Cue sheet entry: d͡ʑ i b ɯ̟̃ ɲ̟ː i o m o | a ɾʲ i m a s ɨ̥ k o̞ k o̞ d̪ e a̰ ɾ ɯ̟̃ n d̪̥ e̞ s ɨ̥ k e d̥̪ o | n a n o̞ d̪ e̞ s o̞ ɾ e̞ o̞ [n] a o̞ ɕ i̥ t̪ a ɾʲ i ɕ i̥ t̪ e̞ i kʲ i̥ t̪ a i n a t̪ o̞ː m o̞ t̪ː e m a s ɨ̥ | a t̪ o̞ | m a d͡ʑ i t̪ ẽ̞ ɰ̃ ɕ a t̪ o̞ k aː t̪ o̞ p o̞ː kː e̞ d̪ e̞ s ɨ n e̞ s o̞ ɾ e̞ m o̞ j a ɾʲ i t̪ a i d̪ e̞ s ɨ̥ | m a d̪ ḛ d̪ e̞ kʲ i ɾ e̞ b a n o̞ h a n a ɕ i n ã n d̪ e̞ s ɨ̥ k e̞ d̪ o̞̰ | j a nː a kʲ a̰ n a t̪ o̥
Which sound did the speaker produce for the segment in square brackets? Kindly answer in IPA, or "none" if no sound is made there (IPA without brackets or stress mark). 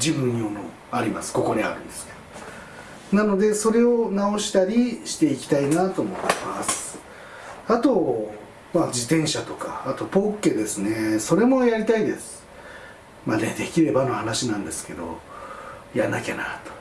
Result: n